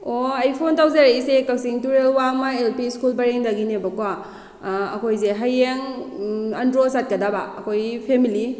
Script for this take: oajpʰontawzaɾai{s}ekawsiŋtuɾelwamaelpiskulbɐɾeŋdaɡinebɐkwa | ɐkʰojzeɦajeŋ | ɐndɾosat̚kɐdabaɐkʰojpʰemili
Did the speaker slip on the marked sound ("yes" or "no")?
no